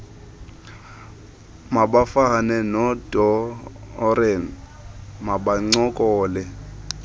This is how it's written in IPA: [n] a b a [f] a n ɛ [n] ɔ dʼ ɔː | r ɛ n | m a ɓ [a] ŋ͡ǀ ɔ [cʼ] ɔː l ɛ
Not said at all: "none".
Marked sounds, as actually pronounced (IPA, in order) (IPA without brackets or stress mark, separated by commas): m, f, n, a, kʼ